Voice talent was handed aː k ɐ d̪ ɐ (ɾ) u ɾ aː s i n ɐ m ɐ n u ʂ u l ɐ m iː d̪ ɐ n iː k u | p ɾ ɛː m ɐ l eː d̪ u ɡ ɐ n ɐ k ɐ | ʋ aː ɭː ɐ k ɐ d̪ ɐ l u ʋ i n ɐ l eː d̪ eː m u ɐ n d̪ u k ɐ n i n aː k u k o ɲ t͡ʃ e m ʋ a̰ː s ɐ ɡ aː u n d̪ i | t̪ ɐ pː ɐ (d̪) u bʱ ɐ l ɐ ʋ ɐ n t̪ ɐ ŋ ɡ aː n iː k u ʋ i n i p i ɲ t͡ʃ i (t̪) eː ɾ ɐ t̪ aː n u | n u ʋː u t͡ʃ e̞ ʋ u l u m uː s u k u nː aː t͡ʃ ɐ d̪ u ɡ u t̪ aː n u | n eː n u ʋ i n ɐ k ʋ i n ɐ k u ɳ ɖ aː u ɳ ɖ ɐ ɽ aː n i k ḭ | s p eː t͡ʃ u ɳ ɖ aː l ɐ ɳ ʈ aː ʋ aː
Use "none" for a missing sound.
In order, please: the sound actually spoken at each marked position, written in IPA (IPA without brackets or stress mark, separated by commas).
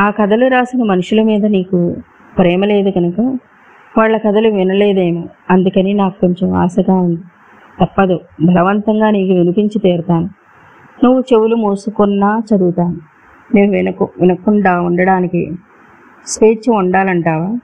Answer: l, d̪, t̪